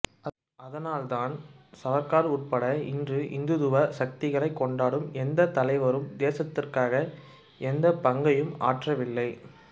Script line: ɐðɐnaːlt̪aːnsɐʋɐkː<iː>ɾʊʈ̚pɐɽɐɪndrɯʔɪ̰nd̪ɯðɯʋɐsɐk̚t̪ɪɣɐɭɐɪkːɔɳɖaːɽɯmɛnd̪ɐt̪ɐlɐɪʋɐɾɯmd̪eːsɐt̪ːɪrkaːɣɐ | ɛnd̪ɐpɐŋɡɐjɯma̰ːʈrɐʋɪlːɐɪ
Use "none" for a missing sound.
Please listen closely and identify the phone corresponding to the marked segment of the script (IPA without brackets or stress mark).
aː